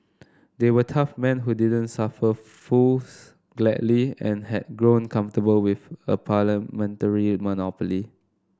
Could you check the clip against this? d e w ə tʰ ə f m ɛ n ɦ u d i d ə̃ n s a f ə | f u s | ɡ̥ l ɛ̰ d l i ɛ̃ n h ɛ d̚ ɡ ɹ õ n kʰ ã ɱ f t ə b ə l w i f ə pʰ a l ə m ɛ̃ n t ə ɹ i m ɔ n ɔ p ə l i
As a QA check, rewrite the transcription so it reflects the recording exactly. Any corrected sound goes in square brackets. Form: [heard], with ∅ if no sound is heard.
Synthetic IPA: d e w ə tʰ [a] f m [ɛ̃] n ɦ u d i d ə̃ n s a f ə | f u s | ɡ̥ l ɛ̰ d l i ɛ̃ n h ɛ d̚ ɡ ɹ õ n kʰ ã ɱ f t ə b ə l w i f ə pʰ a l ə m ɛ̃ n t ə ɹ i m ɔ n ɔ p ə l i